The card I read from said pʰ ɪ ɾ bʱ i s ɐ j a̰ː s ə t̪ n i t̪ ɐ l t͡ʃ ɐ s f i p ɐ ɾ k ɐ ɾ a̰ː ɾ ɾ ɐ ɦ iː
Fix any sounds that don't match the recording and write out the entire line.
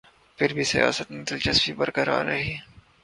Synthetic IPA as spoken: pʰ ɪ ɾ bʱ i s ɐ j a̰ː s ə t̪ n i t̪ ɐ l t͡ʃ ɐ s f i b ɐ ɾ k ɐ ɾ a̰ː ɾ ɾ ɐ ɦ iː